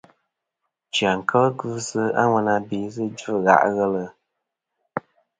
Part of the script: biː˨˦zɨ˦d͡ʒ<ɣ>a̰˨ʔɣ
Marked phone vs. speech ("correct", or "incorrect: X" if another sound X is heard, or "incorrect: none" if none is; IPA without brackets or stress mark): correct